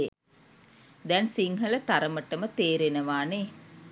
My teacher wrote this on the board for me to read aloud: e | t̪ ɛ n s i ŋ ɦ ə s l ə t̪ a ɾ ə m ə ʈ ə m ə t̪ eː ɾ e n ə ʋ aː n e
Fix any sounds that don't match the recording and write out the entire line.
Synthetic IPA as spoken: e | d̪ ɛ n s i ŋ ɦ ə l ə t̪ a ɾ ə m ə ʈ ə m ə t̪ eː ɾ e n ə ʋ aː n e